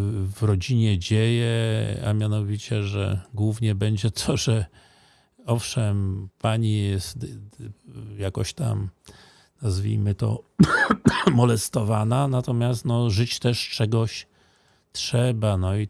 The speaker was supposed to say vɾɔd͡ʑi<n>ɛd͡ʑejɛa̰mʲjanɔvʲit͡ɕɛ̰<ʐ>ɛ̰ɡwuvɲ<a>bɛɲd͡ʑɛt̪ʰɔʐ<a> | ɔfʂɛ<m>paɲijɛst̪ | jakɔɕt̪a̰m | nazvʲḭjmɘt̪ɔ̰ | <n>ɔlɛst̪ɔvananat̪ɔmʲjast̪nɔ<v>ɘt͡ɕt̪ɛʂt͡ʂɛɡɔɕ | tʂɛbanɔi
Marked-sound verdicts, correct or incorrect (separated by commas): incorrect, correct, incorrect, incorrect, correct, incorrect, incorrect